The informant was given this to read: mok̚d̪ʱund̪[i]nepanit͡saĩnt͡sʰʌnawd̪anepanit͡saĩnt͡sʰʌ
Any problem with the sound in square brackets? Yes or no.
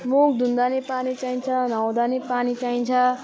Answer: yes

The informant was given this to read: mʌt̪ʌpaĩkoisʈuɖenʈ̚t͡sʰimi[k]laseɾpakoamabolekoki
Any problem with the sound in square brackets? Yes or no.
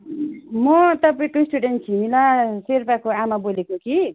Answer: yes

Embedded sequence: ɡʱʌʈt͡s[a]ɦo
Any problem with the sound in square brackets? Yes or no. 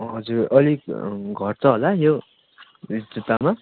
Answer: yes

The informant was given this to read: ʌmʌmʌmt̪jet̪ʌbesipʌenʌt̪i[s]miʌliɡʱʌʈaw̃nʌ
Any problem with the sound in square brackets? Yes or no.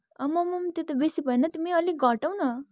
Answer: yes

